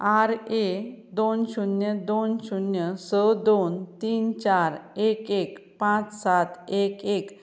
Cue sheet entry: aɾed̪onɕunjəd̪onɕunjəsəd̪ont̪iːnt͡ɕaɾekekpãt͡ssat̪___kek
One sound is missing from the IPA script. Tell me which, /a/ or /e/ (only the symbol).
e